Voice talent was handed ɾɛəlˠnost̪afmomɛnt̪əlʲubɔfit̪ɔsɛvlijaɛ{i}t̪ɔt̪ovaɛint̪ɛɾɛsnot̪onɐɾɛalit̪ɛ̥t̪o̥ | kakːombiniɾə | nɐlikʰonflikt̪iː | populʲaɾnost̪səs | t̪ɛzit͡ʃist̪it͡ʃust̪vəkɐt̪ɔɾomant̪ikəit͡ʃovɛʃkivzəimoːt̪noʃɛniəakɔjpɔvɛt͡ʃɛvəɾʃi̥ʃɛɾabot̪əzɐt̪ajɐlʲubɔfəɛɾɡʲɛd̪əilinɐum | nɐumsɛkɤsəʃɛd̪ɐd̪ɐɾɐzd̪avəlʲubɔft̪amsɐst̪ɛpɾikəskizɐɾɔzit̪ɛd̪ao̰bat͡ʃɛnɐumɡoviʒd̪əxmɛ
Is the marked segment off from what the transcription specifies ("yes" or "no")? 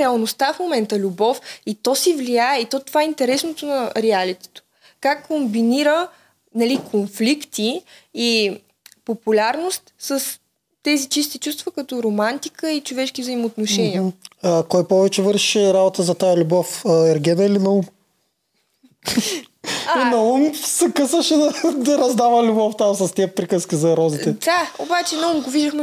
no